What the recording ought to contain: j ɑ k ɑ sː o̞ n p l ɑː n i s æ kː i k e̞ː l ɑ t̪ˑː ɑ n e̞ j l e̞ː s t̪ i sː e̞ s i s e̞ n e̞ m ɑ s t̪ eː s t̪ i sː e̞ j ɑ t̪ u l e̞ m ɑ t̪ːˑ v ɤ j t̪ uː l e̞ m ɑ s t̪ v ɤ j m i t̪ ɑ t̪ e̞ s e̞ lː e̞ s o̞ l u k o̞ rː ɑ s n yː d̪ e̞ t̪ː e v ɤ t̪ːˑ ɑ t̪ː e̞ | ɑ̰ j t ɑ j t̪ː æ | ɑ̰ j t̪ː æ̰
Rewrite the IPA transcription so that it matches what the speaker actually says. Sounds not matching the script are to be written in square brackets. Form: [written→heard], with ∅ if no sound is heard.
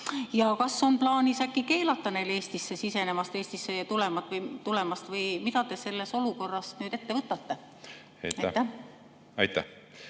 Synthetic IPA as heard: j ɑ k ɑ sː o̞ n p l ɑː n i s æ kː i k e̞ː l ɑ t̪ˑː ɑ n e̞ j l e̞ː s t̪ i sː e̞ s i s e̞ n e̞ m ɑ s t̪ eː s t̪ i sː e̞ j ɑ t̪ u l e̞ m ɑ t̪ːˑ v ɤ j t̪ [uː→u] l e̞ m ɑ s t̪ v ɤ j m i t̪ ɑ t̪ e̞ s e̞ lː e̞ s o̞ l u k o̞ rː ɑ s n yː d̪ e̞ t̪ː e v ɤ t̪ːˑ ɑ t̪ː e̞ | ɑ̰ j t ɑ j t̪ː æ | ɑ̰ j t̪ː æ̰